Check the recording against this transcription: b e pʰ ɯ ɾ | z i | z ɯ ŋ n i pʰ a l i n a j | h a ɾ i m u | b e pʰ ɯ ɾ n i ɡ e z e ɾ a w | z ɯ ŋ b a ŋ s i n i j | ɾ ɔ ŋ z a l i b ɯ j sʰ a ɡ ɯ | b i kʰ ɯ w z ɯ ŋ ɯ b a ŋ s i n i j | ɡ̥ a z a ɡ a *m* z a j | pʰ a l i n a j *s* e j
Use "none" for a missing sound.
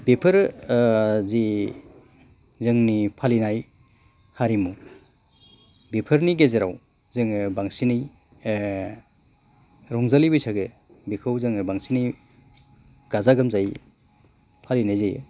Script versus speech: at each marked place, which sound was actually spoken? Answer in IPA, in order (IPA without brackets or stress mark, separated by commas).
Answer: m, z